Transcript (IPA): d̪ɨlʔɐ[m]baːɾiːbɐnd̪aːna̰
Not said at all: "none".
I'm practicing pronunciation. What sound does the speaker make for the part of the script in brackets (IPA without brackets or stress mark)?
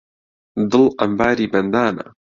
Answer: m